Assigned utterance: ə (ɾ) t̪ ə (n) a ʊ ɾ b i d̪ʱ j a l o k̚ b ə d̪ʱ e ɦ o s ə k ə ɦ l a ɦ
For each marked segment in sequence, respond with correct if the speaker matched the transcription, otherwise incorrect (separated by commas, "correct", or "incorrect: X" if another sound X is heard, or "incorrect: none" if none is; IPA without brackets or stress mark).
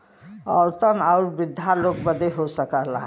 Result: correct, correct